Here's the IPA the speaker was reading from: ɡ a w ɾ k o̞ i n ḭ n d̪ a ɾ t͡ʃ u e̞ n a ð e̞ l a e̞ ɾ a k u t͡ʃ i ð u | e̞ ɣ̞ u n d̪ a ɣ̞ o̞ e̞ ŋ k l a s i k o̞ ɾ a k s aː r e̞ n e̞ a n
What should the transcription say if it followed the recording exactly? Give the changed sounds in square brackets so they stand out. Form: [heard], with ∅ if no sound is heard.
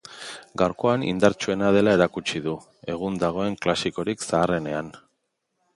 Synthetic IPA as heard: ɡ a w ɾ k o̞ [a] n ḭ n d̪ a ɾ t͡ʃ u e̞ n a ð e̞ l a e̞ ɾ a k u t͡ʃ i ð u | e̞ ɣ̞ u n d̪ a ɣ̞ o̞ e̞ ŋ k l a s i k o̞ ɾ [i] k s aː r e̞ n e̞ a n

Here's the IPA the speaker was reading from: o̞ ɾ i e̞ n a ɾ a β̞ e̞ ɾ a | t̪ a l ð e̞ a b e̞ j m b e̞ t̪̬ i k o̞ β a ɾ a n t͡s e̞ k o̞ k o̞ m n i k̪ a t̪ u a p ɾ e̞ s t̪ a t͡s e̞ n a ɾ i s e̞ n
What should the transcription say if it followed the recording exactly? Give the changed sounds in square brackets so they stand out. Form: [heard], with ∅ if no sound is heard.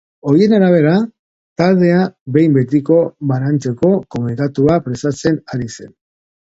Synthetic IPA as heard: o̞ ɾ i e̞ n a ɾ a β̞ e̞ ɾ a | t̪ a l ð e̞ a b e̞ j m b e̞ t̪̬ i k o̞ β a ɾ a n t͡s e̞ k o̞ k o̞ m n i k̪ a t̪ u a p ɾ e̞ s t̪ a t͡s e̞ n a ɾ i s e̞ n

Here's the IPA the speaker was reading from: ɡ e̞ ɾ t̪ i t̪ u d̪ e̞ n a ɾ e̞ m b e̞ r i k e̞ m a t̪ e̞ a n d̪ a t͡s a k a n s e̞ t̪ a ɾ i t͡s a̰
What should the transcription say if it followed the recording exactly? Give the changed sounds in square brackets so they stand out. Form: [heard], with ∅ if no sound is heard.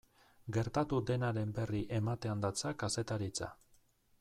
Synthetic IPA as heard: ɡ e̞ ɾ t̪ [a] t̪ u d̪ e̞ n a ɾ e̞ m b e̞ r i [ʔ] e̞ m a t̪ e̞ a n d̪ a t͡s a k a [∅] s e̞ t̪ a ɾ i t͡s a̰

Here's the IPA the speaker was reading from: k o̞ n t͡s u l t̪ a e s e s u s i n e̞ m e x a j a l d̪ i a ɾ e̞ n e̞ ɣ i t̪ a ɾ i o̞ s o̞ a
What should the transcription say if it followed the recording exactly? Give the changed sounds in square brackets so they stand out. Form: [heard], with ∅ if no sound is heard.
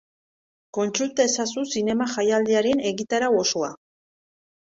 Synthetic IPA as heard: k o̞ n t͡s u l t̪ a e s [a] s u s i n e̞ m [a] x a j a l d̪ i a ɾ e̞ n e̞ ɣ i t̪ a ɾ [a] o̞ s o̞ a

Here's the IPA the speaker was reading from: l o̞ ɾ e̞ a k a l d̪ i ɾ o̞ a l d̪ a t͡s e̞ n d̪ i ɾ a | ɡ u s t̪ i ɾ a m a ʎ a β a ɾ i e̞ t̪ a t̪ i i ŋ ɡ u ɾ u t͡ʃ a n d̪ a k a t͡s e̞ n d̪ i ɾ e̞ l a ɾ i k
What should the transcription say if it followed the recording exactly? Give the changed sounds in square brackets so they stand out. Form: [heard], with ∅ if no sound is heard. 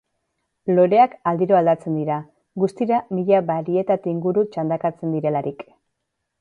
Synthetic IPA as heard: l o̞ ɾ e̞ a k a l d̪ i ɾ o̞ a l d̪ a t͡s e̞ n d̪ i ɾ a | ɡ u s t̪ i ɾ a m [i] ʎ a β a ɾ i e̞ t̪ a t̪ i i ŋ ɡ u ɾ u t͡ʃ a n d̪ a k a t͡s e̞ n d̪ i ɾ e̞ l a ɾ i k

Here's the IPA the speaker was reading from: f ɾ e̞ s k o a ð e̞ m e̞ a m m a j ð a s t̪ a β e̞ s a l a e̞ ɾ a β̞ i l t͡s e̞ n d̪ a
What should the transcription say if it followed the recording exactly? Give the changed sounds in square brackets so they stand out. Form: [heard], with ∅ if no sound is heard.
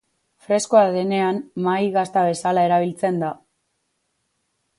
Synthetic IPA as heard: f ɾ e̞ s k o a ð e̞ [n] e̞ a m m a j [ɣ] a s t̪ a β e̞ s a l a e̞ ɾ a β̞ i l t͡s e̞ n d̪ a

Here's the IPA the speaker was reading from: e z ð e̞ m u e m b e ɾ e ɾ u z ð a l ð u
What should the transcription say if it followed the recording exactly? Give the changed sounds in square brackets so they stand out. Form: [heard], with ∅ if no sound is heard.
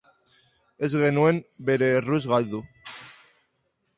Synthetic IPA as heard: e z [ɣ] e̞ [n] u e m b e ɾ e [r] u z [ɣ] a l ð u

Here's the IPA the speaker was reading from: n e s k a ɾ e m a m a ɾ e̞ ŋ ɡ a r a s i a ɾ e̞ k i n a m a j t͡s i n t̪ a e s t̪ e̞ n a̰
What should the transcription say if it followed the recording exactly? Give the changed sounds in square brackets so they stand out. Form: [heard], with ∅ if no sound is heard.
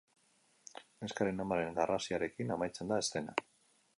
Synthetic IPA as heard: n e s k a ɾ e [n] a m a ɾ e̞ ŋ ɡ a r a s i a ɾ e̞ k i n a m a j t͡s [e] n [d̪] a e s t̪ e̞ n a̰

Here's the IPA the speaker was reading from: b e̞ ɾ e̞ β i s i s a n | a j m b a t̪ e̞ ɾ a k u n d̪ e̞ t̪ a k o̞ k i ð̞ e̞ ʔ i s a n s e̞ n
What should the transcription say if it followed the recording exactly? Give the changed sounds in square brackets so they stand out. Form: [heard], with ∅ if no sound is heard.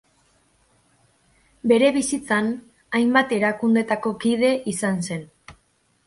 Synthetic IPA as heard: b e̞ ɾ e̞ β i s i [t͡s] a n | a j m b a t̪ e̞ ɾ a k u n d̪ e̞ t̪ a k o̞ k i ð̞ e̞ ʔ i s a n s e̞ n

